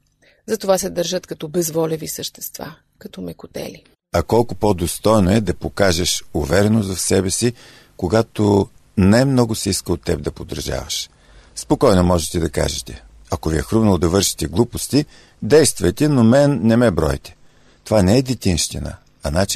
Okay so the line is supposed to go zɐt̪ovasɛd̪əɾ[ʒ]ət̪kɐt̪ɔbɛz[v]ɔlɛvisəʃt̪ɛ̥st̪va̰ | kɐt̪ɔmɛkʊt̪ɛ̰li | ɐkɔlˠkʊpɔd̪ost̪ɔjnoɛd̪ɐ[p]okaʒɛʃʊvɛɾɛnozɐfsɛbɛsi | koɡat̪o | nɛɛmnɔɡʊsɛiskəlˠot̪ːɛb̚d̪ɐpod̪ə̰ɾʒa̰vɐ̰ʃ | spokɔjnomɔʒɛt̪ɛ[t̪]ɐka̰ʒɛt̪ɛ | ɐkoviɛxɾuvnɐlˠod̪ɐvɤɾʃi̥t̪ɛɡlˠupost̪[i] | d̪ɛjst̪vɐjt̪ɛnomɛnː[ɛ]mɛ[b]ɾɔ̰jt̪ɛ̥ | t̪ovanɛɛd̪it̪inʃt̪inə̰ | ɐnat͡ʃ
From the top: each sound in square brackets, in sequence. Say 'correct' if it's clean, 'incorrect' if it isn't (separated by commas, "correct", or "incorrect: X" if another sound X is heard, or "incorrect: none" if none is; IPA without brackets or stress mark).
correct, correct, correct, incorrect: d̪, correct, correct, correct